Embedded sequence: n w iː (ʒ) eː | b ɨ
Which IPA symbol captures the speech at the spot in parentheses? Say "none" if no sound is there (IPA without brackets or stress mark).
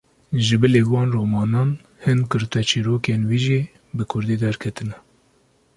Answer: ʒ